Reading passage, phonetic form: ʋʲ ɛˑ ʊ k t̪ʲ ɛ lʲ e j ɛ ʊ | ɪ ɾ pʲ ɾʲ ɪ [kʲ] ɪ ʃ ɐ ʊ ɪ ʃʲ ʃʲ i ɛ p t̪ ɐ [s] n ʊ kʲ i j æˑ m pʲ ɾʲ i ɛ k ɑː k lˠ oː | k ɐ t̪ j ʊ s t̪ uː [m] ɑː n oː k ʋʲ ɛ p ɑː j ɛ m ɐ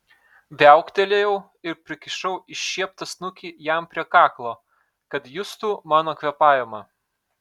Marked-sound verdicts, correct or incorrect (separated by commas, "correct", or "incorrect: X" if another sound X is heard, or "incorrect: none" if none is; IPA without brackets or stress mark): correct, correct, correct